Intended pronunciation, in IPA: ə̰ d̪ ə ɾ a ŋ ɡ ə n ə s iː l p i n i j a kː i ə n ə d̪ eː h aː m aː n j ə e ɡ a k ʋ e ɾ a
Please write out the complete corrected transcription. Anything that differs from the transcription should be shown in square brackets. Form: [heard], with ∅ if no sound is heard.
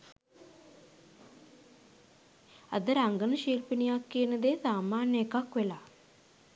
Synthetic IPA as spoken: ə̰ d̪ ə ɾ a ŋ ɡ ə n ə [ʃ] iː l p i n i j a kː i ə n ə d̪ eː [s] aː m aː n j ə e [k] a k ʋ e [l] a